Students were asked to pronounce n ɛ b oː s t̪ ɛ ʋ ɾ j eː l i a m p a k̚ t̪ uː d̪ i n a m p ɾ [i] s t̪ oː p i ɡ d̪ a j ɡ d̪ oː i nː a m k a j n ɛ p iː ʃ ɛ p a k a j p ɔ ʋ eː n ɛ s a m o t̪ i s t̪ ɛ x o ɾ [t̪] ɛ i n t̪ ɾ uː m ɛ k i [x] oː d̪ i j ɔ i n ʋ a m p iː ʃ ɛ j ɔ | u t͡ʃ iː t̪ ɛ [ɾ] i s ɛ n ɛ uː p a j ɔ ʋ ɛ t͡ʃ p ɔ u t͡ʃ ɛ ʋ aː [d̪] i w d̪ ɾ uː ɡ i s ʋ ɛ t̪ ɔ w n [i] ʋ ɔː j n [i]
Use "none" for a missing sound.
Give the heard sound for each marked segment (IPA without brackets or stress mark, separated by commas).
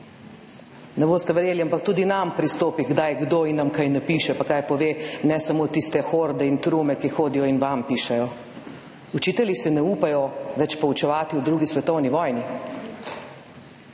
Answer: i, d̪, x, l, t̪, i, i